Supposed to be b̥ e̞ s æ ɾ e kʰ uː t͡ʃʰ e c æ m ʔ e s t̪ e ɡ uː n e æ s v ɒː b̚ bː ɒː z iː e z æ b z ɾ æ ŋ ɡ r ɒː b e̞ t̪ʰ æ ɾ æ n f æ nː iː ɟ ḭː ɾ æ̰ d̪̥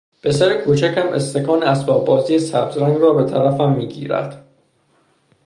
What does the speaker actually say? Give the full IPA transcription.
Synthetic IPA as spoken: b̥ e̞ s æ ɾ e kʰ uː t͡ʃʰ æ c æ m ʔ e s t̪ e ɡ ɒː n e æ s b ɒː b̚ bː ɒː z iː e s æ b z ɾ æ ŋ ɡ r ɒː b e̞ t̪ʰ æ ɾ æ f æ mː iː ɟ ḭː ɾ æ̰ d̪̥